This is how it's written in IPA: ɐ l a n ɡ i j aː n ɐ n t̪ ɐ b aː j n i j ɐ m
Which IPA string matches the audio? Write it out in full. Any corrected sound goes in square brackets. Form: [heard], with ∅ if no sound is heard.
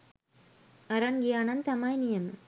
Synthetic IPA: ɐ [ɾ] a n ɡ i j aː n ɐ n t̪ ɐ [m] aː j n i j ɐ m